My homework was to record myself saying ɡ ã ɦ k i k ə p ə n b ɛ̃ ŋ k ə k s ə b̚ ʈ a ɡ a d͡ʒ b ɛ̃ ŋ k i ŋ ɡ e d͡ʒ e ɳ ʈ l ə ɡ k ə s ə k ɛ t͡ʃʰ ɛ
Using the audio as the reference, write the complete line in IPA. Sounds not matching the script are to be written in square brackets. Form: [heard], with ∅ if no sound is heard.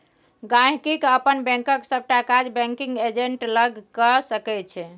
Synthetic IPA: ɡ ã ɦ k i k ə p ə n b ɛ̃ ŋ k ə k s ə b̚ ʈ a [k] a d͡ʒ b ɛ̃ ŋ k i ŋ ɡ e d͡ʒ e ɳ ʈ l ə ɡ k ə s ə k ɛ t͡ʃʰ ɛ